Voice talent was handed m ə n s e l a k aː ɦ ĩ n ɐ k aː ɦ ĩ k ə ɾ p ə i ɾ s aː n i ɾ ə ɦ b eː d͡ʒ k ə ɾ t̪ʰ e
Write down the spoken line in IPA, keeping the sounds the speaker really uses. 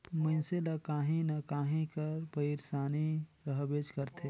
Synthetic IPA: m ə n s e l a k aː ɦ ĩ n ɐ k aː ɦ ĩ k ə ɾ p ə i ɾ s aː n i ɾ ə ɦ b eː d͡ʒ k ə ɾ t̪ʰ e